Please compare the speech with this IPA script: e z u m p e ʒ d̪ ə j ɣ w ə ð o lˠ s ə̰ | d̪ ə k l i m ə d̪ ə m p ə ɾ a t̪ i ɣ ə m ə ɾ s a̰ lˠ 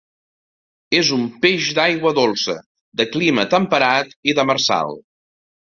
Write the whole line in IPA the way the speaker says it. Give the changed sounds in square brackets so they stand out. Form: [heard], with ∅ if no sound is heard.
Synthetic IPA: e z u m p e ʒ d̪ [a] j ɣ w ə ð o lˠ s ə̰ | d̪ ə k l i m ə [t̪] ə m p ə ɾ a t̪ i [ð] ə m ə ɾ s a̰ lˠ